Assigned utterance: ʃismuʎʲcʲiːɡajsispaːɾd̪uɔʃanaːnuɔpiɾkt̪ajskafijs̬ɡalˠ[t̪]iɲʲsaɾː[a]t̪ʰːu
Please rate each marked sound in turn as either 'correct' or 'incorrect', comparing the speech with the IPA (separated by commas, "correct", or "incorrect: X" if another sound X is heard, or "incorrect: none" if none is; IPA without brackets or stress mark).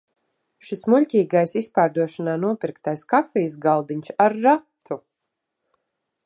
incorrect: d̪, correct